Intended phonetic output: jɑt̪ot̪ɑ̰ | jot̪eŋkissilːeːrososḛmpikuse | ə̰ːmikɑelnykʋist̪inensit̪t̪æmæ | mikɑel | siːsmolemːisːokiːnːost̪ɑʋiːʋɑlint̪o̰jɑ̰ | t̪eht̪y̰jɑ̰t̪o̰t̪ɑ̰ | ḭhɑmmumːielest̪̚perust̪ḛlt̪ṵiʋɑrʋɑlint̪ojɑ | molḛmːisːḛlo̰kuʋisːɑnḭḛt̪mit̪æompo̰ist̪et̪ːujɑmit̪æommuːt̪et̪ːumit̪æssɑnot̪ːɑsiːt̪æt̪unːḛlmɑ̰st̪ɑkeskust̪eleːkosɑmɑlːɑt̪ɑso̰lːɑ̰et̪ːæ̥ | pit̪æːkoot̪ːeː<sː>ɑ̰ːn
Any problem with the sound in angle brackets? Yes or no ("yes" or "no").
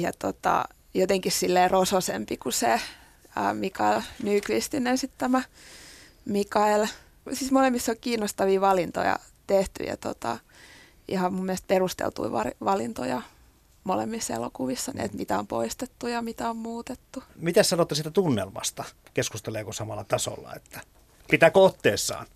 no